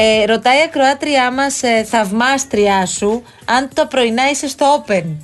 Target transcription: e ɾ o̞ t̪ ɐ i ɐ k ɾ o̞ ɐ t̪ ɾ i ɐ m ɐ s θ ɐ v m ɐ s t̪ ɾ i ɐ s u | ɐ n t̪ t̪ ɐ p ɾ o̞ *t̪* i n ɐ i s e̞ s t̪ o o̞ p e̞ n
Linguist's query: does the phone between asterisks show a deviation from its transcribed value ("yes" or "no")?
yes